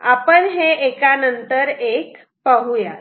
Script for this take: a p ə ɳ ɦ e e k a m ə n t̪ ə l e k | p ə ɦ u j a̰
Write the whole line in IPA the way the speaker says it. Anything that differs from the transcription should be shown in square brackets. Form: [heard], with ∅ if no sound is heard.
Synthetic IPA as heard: a p ə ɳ ɦ e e k a [n] ə n t̪ ə [ɾ] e k | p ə ɦ u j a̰